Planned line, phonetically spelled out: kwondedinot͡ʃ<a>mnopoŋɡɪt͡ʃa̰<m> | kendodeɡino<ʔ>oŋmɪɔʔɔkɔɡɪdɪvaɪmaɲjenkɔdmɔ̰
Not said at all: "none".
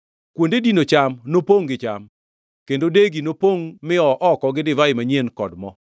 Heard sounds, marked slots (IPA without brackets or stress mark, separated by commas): a, m, p